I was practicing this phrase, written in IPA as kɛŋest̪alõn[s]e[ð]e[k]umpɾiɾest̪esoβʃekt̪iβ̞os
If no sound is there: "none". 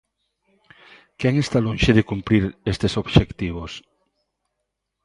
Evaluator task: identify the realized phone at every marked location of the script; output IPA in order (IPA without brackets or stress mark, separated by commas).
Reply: ʃ, ð, k